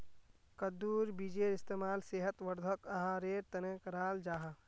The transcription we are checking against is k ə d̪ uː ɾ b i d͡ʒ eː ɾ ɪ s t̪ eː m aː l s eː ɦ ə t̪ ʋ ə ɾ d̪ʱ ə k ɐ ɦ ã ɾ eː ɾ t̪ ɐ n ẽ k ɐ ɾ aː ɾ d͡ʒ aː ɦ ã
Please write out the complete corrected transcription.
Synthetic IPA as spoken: k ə d̪ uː ɾ b i d͡ʒ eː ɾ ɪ s t̪ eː m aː l s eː ɦ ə t̪ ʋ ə ɾ d̪ʱ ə k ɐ ɦ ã ɾ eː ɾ t̪ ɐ n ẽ k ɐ ɾ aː l d͡ʒ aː ɦ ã